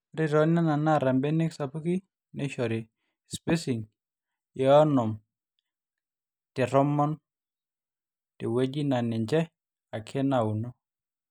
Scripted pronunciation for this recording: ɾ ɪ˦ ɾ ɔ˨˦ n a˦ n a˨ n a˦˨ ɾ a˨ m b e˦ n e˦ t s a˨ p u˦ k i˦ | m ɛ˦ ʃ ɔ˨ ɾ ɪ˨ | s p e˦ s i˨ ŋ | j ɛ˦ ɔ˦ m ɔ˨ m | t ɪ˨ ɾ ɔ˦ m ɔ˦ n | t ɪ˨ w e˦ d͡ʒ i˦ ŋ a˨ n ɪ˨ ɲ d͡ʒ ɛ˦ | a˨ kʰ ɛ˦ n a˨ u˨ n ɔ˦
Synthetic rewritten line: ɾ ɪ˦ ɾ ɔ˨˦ n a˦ n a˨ n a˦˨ ɾ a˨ m b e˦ n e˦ k s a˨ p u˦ k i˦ | n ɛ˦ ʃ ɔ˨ ɾ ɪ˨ | s p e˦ s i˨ ŋ | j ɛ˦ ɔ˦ n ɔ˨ m | t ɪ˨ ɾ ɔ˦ m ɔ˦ n | t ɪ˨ w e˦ d͡ʒ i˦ n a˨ n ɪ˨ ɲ d͡ʒ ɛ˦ | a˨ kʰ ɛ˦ n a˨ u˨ n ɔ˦